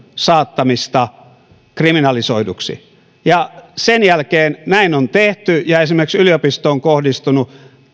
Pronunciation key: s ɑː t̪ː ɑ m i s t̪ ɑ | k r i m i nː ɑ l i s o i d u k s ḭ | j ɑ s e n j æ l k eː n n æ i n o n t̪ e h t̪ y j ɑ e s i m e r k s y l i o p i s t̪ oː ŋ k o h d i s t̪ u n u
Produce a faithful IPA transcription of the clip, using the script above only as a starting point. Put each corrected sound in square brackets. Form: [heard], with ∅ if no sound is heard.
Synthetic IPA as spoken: s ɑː t̪ː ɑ m i s t̪ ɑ | k r i m i [n] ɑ l i s o i d u k s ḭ | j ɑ s e n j æ l k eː n n æ i n o n t̪ e h t̪ y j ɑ e s i m e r k s y l i o p i s t̪ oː ŋ k o h d i s t̪ u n u